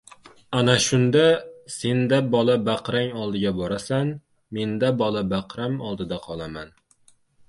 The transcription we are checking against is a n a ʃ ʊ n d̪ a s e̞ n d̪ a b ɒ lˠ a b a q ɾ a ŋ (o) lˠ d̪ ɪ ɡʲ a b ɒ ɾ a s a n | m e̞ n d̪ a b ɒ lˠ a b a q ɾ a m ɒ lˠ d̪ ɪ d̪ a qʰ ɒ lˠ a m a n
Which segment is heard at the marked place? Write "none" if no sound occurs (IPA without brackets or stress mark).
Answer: ɒ